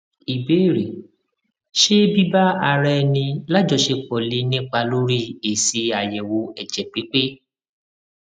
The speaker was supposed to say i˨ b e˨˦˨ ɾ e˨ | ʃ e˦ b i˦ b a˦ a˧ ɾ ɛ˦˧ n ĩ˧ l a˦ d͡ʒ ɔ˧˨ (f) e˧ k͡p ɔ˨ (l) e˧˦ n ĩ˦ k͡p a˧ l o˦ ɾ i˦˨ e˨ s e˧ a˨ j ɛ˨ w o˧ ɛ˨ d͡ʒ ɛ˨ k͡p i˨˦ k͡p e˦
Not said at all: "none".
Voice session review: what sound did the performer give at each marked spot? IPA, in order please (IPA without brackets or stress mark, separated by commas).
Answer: ʃ, l